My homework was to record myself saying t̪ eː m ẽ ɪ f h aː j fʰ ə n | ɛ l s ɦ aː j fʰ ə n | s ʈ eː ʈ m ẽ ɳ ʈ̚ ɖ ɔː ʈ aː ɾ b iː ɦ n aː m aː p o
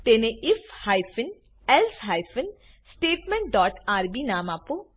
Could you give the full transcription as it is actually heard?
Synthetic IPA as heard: t̪ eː n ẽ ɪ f h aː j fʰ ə n | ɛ l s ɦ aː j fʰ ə n | s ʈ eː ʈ m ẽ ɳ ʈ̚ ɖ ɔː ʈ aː ɾ b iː n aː m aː p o